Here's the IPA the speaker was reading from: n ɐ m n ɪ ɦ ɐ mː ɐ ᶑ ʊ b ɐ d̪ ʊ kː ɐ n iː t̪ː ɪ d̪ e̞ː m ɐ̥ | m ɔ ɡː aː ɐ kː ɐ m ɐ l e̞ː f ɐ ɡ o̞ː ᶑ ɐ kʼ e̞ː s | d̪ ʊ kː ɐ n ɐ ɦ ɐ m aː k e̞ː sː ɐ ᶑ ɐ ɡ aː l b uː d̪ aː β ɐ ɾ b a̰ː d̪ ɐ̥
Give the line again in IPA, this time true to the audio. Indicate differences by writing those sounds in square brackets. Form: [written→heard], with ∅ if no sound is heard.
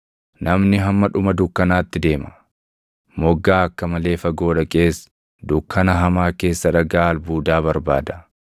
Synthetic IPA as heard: n ɐ m n ɪ ɦ ɐ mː ɐ ᶑ ʊ [b→m] ɐ d̪ ʊ kː ɐ n [iː→aː] t̪ː ɪ d̪ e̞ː m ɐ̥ | m ɔ ɡː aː ɐ kː ɐ m ɐ l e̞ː f ɐ ɡ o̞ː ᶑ ɐ kʼ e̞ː s | d̪ ʊ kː ɐ n ɐ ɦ ɐ m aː k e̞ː sː ɐ ᶑ ɐ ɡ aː l b uː d̪ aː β ɐ ɾ b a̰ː d̪ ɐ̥